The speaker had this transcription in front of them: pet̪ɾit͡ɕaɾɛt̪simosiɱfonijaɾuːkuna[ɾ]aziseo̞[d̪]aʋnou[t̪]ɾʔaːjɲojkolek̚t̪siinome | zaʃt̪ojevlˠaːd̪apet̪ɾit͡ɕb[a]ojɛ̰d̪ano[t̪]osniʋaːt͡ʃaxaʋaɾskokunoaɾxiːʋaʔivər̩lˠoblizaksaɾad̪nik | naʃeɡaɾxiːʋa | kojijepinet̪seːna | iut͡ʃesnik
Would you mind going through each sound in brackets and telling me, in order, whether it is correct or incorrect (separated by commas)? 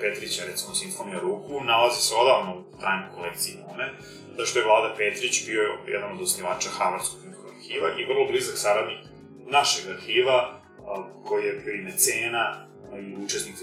incorrect, correct, correct, incorrect, incorrect